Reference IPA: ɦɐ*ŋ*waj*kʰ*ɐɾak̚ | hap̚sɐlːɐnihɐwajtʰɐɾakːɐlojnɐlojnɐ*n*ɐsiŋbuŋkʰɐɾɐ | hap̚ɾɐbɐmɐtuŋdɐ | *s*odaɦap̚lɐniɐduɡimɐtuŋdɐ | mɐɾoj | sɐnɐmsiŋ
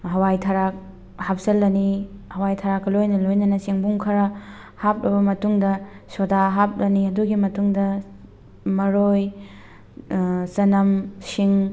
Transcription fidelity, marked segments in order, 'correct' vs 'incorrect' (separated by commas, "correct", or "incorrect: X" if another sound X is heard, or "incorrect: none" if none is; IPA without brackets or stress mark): incorrect: none, incorrect: tʰ, correct, correct